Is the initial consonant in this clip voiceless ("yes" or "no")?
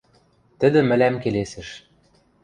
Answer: yes